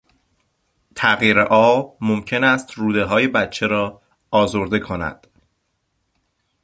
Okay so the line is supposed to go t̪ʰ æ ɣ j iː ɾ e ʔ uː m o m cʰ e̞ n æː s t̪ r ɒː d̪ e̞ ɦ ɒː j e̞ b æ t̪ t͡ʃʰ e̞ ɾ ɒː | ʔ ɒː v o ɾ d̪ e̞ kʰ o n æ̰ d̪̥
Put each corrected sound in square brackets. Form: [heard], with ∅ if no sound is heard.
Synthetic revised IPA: t̪ʰ æ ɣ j iː ɾ e ʔ [ɒː] m o m cʰ e̞ n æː s t̪ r [uː] d̪ e̞ ɦ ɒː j e̞ b æ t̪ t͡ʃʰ e̞ ɾ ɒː | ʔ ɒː [z] o ɾ d̪ e̞ kʰ o n æ̰ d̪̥